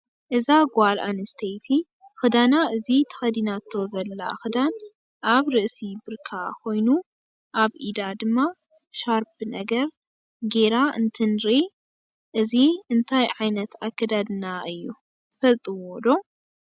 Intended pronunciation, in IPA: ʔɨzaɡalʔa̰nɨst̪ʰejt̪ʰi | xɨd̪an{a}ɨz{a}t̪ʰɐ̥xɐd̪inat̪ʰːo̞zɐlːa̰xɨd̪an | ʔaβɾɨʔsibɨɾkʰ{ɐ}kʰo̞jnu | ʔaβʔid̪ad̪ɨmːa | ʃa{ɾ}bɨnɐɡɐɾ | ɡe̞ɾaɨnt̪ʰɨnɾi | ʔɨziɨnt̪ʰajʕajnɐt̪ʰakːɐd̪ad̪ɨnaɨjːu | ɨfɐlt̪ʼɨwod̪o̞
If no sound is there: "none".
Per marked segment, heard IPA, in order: a, i, a, ɾ

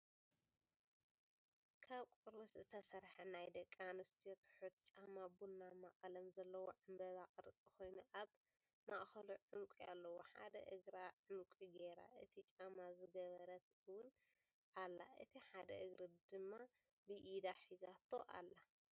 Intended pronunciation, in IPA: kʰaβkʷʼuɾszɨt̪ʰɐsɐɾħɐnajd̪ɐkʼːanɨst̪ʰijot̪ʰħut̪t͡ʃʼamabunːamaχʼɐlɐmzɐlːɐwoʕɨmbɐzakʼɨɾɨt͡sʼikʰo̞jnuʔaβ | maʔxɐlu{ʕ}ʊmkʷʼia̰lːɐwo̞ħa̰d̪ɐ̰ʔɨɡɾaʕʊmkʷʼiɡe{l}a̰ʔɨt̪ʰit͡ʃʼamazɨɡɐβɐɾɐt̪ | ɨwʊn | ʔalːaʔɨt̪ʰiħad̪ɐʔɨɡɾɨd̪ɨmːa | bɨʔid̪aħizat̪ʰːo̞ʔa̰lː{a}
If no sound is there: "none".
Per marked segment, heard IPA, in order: ʕ, ɾ, a

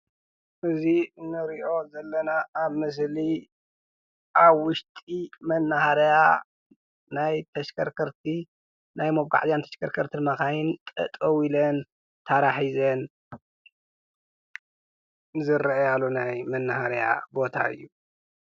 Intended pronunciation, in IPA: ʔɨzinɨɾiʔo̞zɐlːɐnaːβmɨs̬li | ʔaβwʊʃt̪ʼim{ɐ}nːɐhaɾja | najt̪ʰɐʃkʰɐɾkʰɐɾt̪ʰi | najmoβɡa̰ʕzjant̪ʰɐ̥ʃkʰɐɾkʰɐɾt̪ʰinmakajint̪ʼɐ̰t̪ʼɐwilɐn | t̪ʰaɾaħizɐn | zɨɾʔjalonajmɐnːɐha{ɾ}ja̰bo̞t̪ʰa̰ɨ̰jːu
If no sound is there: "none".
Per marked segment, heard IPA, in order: ɐ, ɾ

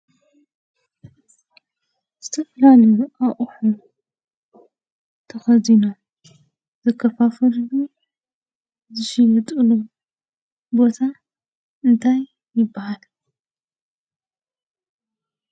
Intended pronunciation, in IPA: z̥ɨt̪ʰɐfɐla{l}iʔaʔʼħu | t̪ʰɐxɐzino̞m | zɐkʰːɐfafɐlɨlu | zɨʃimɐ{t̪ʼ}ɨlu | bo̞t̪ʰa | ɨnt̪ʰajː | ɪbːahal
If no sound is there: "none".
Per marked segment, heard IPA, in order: l, t̪ʼ

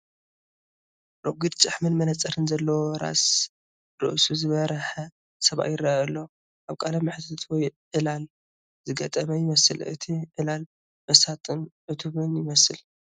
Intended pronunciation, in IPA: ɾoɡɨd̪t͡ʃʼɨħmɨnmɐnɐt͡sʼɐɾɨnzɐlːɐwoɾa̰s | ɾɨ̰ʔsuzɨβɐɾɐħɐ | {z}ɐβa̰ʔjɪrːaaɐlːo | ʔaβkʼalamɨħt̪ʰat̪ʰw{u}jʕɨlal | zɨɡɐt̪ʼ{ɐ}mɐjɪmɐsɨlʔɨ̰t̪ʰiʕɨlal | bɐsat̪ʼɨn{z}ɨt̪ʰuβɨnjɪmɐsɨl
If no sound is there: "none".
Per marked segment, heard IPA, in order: s, ɔ, ɐ, ʕ

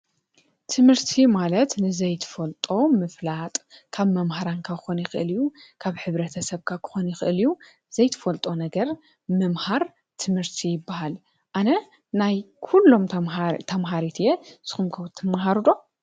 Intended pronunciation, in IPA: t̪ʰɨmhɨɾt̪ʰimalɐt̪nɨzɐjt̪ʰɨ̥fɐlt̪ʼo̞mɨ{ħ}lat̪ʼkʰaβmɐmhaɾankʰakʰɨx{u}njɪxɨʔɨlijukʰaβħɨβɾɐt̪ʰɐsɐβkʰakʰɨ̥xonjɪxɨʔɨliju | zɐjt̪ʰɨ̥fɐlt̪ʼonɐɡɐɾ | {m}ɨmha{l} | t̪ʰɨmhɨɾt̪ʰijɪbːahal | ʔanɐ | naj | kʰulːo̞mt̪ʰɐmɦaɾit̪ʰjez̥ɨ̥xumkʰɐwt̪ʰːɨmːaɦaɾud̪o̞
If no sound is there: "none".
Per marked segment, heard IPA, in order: f, o, m, ɾ

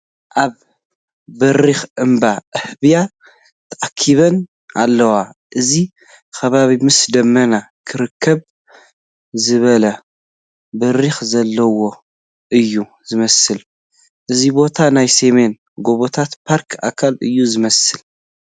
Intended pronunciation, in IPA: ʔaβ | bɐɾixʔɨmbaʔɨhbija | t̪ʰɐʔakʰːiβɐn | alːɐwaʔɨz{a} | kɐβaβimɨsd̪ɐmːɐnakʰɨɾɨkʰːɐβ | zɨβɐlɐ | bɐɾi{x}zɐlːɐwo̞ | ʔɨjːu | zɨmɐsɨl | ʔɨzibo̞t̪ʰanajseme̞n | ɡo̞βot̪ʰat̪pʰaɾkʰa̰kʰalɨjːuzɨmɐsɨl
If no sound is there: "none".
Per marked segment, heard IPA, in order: i, x

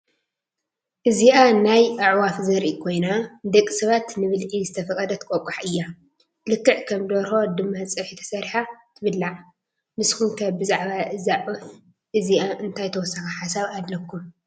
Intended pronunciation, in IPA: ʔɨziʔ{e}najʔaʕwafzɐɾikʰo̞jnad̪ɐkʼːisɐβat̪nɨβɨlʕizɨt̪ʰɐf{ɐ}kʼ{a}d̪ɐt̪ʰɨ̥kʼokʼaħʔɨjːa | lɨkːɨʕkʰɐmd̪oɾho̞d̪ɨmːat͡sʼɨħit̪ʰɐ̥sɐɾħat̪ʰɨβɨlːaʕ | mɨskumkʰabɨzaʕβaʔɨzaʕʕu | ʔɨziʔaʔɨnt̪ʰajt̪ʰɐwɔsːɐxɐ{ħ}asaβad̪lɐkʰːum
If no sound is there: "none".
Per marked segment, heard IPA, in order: a, ɐ, ɐ, ħ

